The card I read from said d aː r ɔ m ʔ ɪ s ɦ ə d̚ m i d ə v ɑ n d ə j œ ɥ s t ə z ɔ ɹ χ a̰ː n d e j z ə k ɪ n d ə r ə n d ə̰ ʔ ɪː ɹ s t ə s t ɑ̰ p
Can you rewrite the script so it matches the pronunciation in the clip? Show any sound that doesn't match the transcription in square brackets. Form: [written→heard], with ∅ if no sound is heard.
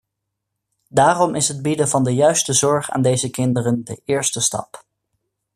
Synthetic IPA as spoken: d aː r ɔ m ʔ ɪ s ɦ ə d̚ [m→b] i d ə v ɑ n d ə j œ ɥ s t ə z ɔ ɹ χ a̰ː n d e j z ə k ɪ n d ə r ə n d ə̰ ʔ ɪː ɹ s t ə s t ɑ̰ p